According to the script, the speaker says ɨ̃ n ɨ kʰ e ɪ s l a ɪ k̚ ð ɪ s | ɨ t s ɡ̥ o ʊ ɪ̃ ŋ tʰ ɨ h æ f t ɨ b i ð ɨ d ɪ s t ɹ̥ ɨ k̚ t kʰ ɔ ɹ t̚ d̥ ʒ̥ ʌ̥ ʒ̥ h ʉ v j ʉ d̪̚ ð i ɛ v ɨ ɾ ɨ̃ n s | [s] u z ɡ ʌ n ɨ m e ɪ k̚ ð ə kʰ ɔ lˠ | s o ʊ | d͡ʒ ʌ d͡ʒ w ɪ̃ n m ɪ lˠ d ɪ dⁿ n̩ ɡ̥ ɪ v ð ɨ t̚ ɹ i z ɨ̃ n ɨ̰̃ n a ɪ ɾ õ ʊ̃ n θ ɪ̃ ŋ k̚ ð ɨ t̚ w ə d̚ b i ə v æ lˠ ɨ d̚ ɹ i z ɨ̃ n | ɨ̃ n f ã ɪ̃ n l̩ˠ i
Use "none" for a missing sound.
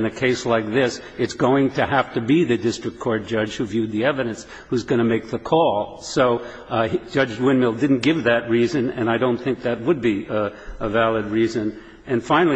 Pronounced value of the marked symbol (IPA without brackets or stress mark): h